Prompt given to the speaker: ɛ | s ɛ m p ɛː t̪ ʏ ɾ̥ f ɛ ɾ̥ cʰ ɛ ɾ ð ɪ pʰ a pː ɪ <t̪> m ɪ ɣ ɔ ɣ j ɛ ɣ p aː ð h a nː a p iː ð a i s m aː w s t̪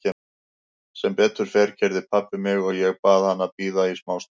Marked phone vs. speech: incorrect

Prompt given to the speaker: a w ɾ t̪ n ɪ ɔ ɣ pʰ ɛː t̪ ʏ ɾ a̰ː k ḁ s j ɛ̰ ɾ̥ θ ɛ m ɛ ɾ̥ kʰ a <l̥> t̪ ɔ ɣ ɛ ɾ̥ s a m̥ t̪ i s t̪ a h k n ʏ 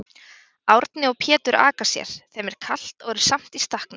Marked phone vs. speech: correct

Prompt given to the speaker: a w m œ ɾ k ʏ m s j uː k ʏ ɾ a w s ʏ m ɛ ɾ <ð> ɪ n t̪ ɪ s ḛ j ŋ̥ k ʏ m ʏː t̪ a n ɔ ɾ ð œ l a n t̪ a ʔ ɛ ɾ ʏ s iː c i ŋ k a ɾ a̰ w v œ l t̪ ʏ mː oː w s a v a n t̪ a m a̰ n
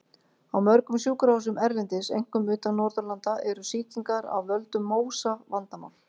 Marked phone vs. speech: incorrect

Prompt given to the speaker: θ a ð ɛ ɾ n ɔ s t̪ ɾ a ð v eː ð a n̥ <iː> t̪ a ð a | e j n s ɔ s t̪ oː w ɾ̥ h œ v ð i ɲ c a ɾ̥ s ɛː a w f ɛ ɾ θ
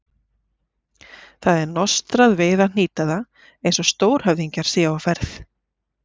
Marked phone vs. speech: correct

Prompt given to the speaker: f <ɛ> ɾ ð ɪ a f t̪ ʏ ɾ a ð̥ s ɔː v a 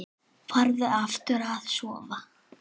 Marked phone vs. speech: incorrect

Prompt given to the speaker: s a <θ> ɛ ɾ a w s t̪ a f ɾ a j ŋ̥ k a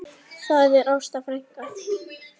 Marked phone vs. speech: incorrect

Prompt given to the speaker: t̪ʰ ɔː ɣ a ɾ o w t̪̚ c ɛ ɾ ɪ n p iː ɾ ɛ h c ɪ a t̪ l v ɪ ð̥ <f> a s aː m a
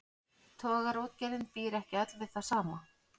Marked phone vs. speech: incorrect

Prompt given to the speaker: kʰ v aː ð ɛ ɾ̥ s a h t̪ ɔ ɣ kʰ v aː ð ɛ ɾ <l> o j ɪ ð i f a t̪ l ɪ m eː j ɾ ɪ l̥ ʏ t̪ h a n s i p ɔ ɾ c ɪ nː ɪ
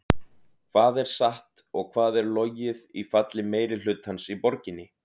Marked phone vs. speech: correct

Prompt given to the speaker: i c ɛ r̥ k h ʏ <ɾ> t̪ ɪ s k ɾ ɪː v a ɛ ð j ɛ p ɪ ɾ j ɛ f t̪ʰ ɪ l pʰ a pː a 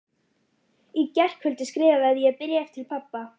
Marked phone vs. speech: incorrect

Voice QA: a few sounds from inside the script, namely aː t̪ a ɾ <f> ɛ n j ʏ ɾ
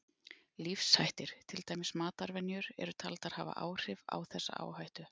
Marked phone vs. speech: incorrect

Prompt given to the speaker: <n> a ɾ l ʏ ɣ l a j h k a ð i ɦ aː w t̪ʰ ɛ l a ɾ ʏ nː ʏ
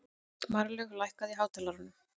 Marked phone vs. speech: incorrect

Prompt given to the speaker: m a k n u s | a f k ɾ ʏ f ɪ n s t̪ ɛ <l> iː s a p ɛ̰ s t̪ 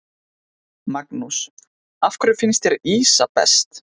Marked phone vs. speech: incorrect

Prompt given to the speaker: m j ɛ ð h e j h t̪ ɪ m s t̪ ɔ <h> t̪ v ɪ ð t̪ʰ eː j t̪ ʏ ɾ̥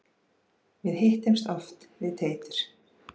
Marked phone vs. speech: incorrect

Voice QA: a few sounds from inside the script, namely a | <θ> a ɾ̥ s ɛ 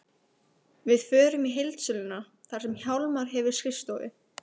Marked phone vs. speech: correct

